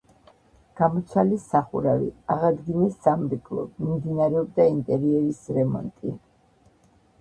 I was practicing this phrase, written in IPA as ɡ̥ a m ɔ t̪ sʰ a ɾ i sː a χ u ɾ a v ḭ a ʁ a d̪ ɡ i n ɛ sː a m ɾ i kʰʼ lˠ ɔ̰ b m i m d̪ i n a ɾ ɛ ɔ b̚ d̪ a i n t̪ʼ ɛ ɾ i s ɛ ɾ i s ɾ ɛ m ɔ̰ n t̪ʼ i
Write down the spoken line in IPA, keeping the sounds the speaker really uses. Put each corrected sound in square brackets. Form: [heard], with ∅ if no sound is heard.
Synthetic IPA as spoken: ɡ̥ a m ɔ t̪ sʰ a [l] i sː a χ u ɾ a v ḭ a ʁ a d̪ ɡ i n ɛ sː a m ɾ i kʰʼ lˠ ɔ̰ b m i m d̪ i n a ɾ ɛ ɔ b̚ d̪ a i n t̪ʼ ɛ ɾ i [∅] ɛ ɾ i s ɾ ɛ m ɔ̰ n t̪ʼ i